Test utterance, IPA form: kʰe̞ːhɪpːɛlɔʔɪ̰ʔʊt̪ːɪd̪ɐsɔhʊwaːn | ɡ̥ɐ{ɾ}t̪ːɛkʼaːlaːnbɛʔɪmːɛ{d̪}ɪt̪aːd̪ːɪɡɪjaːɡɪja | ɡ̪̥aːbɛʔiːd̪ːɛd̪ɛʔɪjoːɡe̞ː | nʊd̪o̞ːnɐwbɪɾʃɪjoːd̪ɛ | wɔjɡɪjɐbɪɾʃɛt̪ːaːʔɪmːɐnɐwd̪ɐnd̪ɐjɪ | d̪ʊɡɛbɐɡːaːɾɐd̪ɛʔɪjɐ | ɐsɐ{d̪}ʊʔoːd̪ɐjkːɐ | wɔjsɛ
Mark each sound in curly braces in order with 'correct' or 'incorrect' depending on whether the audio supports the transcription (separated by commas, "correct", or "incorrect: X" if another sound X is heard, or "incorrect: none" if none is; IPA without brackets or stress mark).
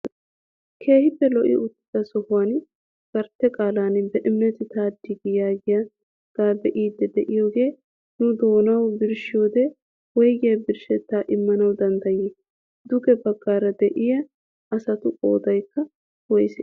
correct, incorrect: t̪, incorrect: t̪